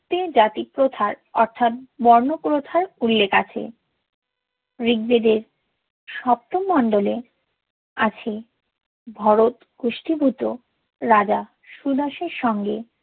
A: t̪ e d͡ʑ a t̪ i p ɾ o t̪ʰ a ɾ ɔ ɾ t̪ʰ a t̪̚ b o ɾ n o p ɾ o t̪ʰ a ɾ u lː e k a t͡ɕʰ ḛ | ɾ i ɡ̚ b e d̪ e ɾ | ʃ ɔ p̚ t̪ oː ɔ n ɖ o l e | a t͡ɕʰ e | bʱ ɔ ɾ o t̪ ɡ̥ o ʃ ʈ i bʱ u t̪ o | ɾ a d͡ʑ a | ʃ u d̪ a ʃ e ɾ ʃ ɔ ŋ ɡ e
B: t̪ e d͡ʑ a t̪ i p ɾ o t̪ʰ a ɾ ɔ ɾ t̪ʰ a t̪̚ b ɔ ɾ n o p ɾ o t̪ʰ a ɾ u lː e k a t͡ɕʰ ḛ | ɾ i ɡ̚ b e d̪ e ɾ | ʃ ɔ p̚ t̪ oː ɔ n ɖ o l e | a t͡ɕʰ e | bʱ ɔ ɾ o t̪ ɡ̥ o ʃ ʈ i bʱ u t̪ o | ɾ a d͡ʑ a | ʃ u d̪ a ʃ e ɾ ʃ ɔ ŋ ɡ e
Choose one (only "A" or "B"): B